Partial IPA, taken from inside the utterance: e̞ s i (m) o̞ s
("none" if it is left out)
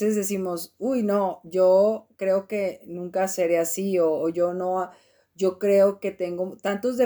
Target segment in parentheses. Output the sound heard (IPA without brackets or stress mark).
m